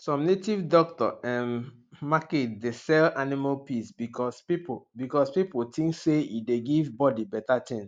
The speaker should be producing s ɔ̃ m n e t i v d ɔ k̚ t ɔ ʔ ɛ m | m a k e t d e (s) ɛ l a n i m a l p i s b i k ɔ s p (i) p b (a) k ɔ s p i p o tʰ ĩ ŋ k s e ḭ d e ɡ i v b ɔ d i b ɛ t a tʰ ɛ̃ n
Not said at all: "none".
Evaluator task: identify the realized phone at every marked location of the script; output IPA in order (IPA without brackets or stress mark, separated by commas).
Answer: s, i, i